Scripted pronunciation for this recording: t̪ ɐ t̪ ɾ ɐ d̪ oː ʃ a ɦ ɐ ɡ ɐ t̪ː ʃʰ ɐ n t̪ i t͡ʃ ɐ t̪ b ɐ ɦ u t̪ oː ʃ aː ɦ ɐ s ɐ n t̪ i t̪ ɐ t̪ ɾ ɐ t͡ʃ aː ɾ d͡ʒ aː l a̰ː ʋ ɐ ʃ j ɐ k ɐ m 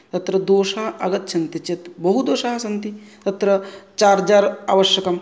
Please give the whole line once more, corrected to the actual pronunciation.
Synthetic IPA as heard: t̪ ɐ t̪ ɾ ɐ d̪ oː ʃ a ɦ ɐ ɡ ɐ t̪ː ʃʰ ɐ n t̪ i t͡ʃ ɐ t̪ b ɐ ɦ u d̪ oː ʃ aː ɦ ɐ s ɐ n t̪ i t̪ ɐ t̪ ɾ ɐ t͡ʃ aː ɾ d͡ʒ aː ɾ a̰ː ʋ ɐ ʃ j ɐ k ɐ m